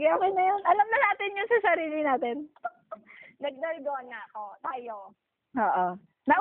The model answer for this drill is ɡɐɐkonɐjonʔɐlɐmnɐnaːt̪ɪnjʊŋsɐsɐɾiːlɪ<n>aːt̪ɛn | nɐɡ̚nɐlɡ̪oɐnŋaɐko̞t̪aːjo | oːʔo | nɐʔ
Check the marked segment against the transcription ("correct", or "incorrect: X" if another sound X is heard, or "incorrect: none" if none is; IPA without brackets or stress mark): correct